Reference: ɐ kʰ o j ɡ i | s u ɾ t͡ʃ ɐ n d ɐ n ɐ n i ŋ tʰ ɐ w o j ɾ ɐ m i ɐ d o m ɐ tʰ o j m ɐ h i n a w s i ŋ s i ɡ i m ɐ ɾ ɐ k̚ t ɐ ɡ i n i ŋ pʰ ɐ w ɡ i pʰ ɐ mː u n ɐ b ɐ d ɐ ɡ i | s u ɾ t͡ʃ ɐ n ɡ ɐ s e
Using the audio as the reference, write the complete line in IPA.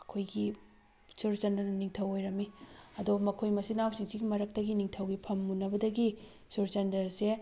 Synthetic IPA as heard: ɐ kʰ o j ɡ i | s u ɾ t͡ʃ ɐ n d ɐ n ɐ n i ŋ tʰ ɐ w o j ɾ ɐ m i ɐ d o m ɐ kʰ o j m ɐ s i n a w s i ŋ s i ɡ i m ɐ ɾ ɐ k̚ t ɐ ɡ i n i ŋ tʰ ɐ w ɡ i pʰ ɐ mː u n ɐ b ɐ d ɐ ɡ i | s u ɾ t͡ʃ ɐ n d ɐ s e